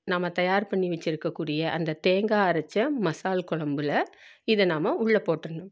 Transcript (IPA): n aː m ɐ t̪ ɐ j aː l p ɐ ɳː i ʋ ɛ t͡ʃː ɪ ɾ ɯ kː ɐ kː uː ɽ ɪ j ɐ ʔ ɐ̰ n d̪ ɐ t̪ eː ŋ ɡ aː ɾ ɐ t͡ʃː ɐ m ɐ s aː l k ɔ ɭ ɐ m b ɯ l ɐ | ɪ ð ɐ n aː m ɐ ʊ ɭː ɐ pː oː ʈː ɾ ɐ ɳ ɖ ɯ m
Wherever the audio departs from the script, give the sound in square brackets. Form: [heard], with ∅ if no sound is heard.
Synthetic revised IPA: n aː m ɐ t̪ ɐ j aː [ɾ] p ɐ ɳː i ʋ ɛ t͡ʃː ɪ ɾ ɯ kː ɐ kː uː ɽ ɪ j ɐ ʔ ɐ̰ n d̪ ɐ t̪ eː ŋ ɡ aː ɾ ɐ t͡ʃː ɐ m ɐ s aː l k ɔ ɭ ɐ m b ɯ l ɐ | ɪ ð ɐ n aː m ɐ ʊ ɭː ɐ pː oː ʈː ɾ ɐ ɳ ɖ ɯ m